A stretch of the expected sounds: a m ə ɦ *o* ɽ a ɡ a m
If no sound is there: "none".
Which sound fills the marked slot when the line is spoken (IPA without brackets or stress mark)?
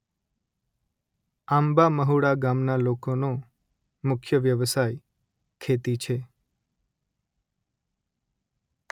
u